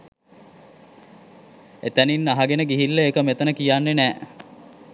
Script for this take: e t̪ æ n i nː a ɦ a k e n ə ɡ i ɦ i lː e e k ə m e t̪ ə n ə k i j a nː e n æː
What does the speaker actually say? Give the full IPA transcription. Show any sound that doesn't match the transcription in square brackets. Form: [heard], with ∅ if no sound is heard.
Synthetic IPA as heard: e t̪ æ n i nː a ɦ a [ɡ] e n ə ɡ i ɦ i lː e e k ə m e t̪ ə n ə k i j a nː e n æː

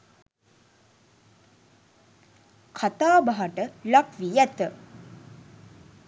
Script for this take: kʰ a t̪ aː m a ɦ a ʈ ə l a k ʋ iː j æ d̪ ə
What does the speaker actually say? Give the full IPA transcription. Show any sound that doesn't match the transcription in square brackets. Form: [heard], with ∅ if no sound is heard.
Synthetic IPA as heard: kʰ a t̪ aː [b] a ɦ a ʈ ə l a k ʋ [i] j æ [t̪] ə

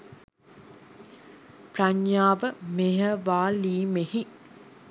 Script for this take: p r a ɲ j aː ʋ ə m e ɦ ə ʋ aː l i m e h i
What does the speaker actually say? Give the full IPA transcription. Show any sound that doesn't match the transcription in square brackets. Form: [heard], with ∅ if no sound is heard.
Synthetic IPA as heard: p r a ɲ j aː ʋ ə m e ɦ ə ʋ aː l [iː] m e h i

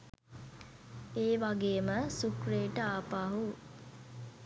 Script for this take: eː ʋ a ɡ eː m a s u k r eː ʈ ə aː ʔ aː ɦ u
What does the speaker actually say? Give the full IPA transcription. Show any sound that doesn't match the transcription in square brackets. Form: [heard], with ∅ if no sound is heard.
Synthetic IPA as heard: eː ʋ a ɡ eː m [ə] s u k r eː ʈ ə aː [p] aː ɦ u

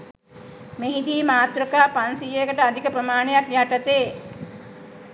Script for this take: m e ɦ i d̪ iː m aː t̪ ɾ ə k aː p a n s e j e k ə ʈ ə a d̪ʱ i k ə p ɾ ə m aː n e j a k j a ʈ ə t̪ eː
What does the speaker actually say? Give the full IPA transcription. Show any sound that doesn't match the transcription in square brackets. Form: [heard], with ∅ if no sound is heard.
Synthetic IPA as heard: m e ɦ i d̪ iː m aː t̪ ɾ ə k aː p a n s [i] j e k ə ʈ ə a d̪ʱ i k ə p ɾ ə m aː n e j a k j a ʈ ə t̪ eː

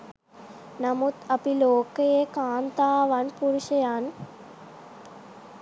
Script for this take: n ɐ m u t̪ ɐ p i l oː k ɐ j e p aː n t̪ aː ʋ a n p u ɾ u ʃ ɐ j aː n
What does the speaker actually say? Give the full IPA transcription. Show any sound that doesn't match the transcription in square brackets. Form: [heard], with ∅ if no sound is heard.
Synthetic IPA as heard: n ɐ m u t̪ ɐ p i l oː k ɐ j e [k] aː n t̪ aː ʋ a n p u ɾ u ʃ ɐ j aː n

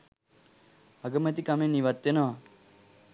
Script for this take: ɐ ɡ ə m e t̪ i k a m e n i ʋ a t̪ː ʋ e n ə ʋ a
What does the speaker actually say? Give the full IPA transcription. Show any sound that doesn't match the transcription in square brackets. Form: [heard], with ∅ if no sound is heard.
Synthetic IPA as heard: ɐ ɡ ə m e t̪ i k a m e n i ʋ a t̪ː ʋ e n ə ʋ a

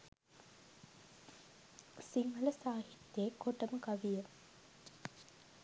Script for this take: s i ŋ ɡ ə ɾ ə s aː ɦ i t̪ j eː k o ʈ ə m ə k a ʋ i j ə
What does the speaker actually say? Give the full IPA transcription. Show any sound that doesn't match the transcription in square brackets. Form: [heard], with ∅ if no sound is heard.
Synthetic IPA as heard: s i ŋ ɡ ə [l] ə s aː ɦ i t̪ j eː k o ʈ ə m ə k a ʋ i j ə

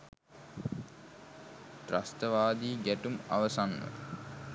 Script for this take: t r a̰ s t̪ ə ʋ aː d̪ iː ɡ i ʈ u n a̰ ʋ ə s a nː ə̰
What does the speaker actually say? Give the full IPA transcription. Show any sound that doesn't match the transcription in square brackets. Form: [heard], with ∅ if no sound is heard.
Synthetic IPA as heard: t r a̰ s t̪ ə ʋ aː d̪ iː ɡ [æ] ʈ u [m] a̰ ʋ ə s a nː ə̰

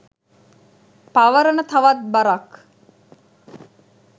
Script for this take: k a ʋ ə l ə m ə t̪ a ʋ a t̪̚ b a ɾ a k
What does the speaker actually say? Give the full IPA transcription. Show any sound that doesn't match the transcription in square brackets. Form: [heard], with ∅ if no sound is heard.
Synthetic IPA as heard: [p] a ʋ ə [ɾ] ə [n] ə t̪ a ʋ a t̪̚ b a ɾ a k

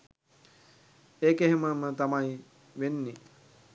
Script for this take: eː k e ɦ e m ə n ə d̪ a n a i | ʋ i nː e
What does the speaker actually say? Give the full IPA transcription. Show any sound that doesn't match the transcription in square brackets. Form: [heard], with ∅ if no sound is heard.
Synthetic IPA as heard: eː k e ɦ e m ə [m] ə [t̪] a [m] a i | ʋ [e] nː [i]

